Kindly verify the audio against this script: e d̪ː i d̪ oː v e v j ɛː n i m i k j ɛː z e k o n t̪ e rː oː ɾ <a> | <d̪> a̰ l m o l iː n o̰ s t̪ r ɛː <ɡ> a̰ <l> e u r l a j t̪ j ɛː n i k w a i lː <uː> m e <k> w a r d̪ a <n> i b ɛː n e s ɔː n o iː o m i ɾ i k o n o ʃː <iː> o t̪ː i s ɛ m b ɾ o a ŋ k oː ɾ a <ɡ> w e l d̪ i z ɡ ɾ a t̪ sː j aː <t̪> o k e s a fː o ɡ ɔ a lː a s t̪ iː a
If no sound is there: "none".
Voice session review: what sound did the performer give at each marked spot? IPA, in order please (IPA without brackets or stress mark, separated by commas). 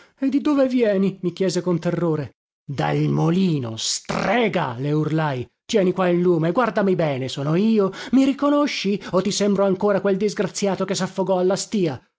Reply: e, d̪, ɡ, l, uː, ɡ, m, i, k, t̪